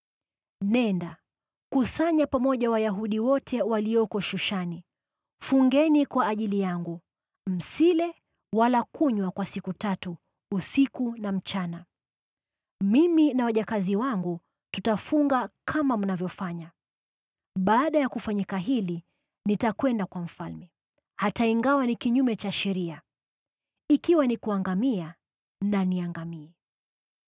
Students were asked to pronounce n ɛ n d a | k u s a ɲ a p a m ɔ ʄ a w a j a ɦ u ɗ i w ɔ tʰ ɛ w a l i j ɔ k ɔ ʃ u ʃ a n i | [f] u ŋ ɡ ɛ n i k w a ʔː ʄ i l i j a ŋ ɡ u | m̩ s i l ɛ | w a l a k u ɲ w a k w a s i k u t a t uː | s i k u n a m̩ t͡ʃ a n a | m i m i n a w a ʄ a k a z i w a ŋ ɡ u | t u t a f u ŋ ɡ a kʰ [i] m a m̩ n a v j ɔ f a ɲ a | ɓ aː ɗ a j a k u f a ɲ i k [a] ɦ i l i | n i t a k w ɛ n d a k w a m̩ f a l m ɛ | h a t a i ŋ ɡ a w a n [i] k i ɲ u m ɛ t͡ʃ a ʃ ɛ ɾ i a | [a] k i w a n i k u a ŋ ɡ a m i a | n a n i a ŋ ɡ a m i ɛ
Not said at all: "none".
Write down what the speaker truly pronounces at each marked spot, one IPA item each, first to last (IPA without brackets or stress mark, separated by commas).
f, a, a, i, i